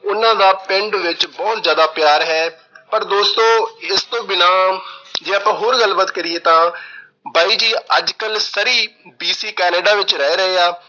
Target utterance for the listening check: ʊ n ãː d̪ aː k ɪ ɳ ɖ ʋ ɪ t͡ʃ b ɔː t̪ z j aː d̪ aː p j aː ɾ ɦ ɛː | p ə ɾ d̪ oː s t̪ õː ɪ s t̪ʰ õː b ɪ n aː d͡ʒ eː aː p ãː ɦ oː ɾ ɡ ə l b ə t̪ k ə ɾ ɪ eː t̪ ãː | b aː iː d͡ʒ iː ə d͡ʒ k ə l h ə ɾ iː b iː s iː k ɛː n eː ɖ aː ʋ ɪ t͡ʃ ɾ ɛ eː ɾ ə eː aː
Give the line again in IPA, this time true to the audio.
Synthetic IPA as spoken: ʊ n ãː d̪ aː p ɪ ɳ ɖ ʋ ɪ t͡ʃ b ɔː t̪ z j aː d̪ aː p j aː ɾ ɦ ɛː | p ə ɾ d̪ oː s t̪ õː ɪ s t̪ õː b ɪ n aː d͡ʒ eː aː p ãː ɦ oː ɾ ɡ ə l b ə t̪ k ə ɾ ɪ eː t̪ ãː | b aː iː d͡ʒ iː ə d͡ʒ k ə l s ə ɾ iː b iː s iː k ɛː n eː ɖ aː ʋ ɪ t͡ʃ ɾ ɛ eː ɾ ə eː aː

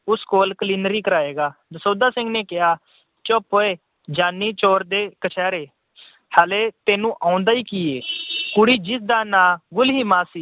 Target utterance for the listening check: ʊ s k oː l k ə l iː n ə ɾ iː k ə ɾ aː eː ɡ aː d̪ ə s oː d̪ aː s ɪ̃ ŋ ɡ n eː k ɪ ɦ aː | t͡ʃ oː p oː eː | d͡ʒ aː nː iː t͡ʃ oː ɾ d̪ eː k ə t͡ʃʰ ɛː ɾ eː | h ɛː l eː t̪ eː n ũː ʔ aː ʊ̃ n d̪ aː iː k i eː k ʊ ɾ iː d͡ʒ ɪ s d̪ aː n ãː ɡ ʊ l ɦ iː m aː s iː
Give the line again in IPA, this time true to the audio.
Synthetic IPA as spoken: ʊ s k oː l k ə l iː n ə ɾ iː k ə ɾ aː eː ɡ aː d̪ ə s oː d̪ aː s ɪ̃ ŋ ɡ n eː k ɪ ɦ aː | t͡ʃ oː p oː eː | d͡ʒ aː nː iː t͡ʃ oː ɾ d̪ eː k ə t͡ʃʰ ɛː ɾ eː | h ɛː l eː t̪ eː n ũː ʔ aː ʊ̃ n d̪ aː iː k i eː k ʊ ɽ iː d͡ʒ ɪ s d̪ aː n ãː ɡ ʊ l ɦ iː m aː s iː

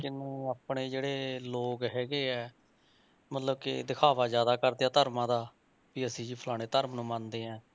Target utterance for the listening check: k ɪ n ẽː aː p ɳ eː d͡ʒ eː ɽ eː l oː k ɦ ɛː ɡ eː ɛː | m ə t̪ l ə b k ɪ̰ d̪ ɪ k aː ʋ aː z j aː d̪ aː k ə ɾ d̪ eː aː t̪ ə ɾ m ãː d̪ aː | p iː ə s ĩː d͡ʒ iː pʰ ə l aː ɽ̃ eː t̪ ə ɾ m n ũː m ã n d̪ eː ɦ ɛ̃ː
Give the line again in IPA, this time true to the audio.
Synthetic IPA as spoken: k ɪ n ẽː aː p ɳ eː d͡ʒ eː ɽ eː l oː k ɦ ɛː ɡ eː ɛː | m ə t̪ l ə b k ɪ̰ d̪ ɪ kʰ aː ʋ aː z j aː d̪ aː k ə ɾ d̪ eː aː t̪ ə ɾ m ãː d̪ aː | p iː ə s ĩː d͡ʒ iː pʰ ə l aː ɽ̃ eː t̪ ə ɾ m n ũː m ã n d̪ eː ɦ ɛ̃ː

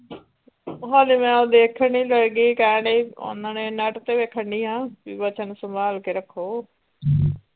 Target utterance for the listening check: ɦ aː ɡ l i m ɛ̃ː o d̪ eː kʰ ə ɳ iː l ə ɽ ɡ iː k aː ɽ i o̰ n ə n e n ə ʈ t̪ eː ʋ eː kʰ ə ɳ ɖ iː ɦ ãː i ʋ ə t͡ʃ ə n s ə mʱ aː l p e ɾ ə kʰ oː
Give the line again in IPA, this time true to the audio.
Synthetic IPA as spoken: ɦ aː l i m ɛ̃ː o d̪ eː kʰ ə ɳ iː l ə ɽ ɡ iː k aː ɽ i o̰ n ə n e n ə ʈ t̪ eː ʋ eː kʰ ə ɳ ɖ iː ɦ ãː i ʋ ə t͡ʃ ə n s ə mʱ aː l k e ɾ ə kʰ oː

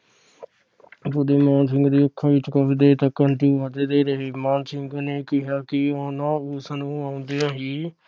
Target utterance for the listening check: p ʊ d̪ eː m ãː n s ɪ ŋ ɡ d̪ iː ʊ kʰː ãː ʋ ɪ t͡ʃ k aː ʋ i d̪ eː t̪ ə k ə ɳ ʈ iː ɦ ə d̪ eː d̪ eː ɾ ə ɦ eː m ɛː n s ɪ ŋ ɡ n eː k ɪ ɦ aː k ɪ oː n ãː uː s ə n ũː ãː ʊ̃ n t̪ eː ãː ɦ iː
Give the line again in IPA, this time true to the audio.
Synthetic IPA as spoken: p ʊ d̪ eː m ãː n s ɪ ŋ ɡ d̪ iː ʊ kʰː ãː ʋ ɪ t͡ʃ k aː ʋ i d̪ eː t̪ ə k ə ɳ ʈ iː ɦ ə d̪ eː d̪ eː ɾ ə ɦ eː m aː n s ɪ ŋ ɡ n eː k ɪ ɦ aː k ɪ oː n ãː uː s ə n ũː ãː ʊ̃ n d̪ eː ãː ɦ iː

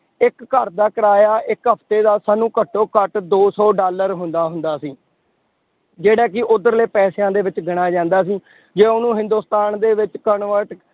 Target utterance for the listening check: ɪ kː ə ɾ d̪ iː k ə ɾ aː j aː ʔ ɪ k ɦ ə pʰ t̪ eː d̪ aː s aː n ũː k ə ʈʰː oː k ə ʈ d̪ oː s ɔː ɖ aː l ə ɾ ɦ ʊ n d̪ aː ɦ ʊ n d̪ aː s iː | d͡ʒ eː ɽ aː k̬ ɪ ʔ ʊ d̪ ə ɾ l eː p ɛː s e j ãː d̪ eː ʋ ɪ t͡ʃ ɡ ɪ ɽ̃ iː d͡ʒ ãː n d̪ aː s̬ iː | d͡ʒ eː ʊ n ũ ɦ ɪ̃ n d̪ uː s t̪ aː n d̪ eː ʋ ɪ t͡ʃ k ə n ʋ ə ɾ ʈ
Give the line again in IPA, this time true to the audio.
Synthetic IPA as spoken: ɪ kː ə ɾ d̪ aː k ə ɾ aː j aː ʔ ɪ k ɦ ə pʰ t̪ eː d̪ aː s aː n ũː k ə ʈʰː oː k ə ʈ d̪ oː s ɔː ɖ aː l ə ɾ ɦ ʊ n d̪ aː ɦ ʊ n d̪ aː s iː | d͡ʒ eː ɽ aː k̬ ɪ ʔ ʊ d̪ ə ɾ l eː p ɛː s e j ãː d̪ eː ʋ ɪ t͡ʃ ɡ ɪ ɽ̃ aː d͡ʒ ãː n d̪ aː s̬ iː | d͡ʒ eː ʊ n ũː ɦ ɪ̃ n d̪ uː s t̪ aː n d̪ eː ʋ ɪ t͡ʃ k ə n ʋ ə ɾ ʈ

